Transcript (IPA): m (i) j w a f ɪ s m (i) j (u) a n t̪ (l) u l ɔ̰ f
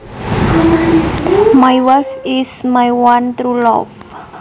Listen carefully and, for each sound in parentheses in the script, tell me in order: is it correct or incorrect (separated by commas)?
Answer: incorrect, incorrect, incorrect, incorrect